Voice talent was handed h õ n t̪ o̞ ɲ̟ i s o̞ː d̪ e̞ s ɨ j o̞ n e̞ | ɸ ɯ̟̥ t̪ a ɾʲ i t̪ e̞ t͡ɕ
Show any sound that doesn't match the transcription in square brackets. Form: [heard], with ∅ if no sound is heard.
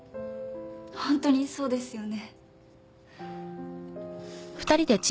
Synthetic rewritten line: h õ n t̪ o̞ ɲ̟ i s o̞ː d̪ e̞ s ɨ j o̞ n e̞ | ɸ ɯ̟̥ t̪ a ɾʲ i [d̪] e̞ t͡ɕ

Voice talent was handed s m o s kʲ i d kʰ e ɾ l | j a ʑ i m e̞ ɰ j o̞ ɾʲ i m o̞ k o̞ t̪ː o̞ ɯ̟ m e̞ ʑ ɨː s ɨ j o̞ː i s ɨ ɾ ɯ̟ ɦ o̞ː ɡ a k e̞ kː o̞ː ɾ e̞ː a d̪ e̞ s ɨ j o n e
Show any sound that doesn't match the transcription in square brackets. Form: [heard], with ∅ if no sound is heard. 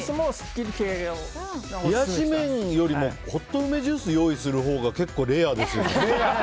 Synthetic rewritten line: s m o s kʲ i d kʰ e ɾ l | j a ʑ i m [ẽ̞] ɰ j o̞ ɾʲ i m o̞ k o̞ t̪ː o̞ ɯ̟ m e̞ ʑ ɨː s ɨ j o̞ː i s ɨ ɾ ɯ̟ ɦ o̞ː ɡ a k e̞ kː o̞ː ɾ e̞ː a d̪ e̞ s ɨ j o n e

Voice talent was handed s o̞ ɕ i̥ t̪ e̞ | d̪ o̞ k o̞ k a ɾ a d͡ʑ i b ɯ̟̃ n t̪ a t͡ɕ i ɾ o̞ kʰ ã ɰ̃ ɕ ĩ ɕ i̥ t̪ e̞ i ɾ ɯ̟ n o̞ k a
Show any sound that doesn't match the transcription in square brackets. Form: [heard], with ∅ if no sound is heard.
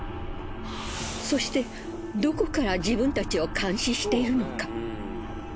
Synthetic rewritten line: s o̞ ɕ i̥ t̪ e̞ | d̪ o̞ k o̞ k a ɾ a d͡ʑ i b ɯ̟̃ n t̪ a t͡ɕ i [∅] o̞ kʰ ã ɰ̃ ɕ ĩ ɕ i̥ t̪ e̞ i ɾ ɯ̟ n o̞ k a

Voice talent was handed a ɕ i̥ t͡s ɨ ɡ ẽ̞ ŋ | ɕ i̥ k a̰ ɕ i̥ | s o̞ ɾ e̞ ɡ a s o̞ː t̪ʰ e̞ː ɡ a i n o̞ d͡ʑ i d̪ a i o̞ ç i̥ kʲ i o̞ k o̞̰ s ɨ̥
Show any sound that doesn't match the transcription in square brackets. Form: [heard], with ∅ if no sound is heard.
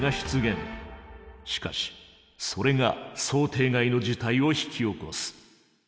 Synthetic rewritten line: a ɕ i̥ t͡s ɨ ɡ ẽ̞ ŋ | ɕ i̥ k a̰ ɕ i̥ | s o̞ ɾ e̞ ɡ a s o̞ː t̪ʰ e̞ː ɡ a i n o̞ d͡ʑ i [t̪] a i o̞ ç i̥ kʲ i o̞ k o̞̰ s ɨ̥

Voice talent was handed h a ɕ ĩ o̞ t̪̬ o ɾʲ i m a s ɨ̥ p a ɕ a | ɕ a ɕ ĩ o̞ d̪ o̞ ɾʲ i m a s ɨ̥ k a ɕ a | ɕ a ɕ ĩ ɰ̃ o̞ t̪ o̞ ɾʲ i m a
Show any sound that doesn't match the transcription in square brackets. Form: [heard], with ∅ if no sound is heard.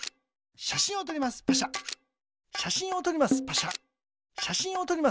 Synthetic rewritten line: [ɕ] a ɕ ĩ o̞ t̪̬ o ɾʲ i m a s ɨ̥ p a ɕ a | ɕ a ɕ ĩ o̞ [t̪] o̞ ɾʲ i m a s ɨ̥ [p] a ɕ a | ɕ a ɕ ĩ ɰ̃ o̞ t̪ o̞ ɾʲ i m a

